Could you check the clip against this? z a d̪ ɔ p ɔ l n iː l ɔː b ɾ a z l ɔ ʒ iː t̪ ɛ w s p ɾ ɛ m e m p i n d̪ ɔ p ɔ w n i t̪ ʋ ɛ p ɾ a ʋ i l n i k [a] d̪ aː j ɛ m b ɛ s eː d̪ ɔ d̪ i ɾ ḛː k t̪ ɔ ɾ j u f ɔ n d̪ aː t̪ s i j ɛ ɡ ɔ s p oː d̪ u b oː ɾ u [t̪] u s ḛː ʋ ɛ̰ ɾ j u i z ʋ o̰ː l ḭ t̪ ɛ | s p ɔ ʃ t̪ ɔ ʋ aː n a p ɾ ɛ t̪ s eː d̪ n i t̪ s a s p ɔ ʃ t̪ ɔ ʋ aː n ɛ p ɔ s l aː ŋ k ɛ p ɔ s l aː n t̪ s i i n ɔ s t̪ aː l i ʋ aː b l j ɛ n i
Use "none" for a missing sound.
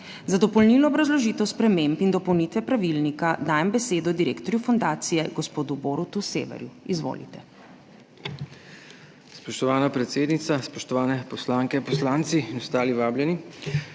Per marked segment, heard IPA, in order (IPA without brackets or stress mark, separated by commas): a, t̪